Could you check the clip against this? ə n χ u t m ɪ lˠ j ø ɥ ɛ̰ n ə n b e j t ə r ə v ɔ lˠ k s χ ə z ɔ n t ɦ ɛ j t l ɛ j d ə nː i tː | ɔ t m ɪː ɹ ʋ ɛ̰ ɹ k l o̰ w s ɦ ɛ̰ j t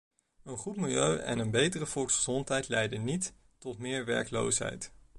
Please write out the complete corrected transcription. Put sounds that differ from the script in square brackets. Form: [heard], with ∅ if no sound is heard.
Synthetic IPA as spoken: ə n χ u t m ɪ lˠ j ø ɥ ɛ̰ n ə n b e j t ə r ə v ɔ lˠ k s χ ə z ɔ n t ɦ ɛ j t l ɛ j d ə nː i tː | ɔ t m ɪː ɹ ʋ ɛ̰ ɹ k l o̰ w s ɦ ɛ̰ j t